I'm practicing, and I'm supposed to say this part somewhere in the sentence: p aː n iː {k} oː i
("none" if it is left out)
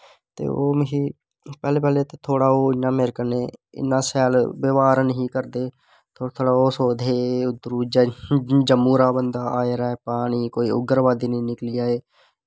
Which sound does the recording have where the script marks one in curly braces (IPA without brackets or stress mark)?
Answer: k